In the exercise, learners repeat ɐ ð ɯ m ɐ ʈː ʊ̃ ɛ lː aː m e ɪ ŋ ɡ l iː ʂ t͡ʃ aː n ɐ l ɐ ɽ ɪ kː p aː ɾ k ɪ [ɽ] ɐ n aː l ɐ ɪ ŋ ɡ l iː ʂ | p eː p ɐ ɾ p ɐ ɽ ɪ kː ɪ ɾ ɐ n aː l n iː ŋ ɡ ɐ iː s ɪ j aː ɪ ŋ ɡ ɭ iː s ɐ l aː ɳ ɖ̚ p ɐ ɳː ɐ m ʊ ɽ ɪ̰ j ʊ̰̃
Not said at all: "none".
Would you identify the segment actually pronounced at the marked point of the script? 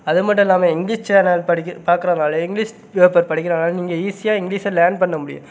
ɾ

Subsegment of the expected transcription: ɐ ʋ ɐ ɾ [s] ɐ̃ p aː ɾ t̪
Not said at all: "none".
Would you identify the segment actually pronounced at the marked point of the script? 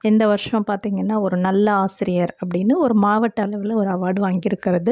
ʂ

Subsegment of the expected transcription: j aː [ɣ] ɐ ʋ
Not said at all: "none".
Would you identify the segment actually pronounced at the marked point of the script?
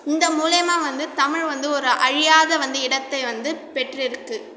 ð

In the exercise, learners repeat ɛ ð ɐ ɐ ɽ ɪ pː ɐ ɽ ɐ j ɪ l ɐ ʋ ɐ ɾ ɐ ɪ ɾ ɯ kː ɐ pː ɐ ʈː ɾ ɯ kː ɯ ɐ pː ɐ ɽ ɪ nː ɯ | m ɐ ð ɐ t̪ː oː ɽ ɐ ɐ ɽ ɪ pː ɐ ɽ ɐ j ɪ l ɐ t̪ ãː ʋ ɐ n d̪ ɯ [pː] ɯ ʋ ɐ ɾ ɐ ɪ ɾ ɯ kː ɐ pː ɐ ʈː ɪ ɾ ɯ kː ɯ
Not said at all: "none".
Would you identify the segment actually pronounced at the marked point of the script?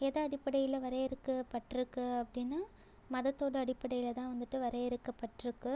ʈː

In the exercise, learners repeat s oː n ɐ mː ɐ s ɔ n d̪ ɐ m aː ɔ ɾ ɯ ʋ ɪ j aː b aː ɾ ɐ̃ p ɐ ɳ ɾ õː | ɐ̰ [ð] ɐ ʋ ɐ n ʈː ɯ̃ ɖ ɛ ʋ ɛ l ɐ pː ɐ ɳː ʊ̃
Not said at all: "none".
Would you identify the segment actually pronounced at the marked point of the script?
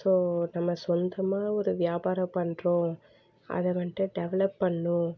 ð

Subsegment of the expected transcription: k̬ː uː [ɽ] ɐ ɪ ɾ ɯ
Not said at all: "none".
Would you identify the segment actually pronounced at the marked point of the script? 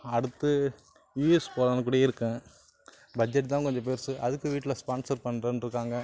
ɽ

